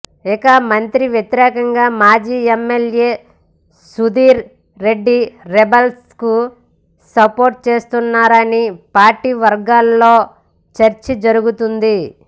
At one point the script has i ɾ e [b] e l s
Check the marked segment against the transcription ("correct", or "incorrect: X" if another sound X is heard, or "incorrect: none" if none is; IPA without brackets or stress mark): correct